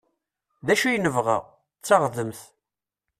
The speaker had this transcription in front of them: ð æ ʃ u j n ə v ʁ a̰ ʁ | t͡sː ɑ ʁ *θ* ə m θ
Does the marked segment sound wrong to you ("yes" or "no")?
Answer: yes